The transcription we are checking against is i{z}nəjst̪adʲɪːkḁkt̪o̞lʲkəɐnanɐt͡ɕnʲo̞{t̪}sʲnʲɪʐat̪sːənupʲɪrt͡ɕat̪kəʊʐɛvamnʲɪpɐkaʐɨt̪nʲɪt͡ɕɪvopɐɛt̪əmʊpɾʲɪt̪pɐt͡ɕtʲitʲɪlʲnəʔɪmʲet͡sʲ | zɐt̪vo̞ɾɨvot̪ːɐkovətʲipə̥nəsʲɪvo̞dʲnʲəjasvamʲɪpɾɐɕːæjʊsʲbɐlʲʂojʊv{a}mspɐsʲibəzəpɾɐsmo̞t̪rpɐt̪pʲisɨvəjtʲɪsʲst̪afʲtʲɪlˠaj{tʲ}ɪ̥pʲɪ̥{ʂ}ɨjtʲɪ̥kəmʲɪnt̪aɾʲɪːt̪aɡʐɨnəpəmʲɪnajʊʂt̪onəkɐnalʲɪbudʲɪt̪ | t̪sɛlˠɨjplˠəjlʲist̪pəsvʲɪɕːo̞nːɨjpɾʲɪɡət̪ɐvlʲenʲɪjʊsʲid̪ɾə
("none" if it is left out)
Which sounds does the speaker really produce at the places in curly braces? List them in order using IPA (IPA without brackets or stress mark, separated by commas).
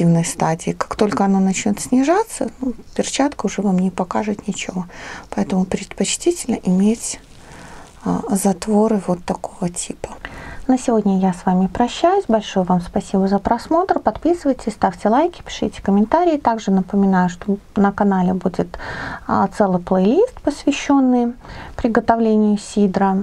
v, t̪, a, kʲ, ʂ